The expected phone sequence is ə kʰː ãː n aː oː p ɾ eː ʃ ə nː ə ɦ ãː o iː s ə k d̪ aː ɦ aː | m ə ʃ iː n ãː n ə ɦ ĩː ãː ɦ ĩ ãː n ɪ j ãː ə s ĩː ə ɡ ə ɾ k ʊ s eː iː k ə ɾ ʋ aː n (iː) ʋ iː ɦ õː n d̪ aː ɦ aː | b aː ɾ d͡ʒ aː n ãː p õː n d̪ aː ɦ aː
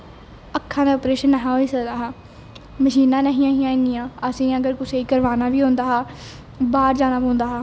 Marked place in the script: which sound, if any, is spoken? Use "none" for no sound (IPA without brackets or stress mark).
aː